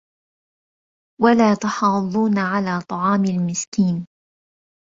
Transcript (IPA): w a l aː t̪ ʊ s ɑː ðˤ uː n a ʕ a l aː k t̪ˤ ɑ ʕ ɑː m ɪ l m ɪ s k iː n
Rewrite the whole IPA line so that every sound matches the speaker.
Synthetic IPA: w a l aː t̪ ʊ ħ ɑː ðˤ uː n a ʕ a l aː t̪ˤ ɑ ʕ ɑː m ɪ l m ɪ s k iː n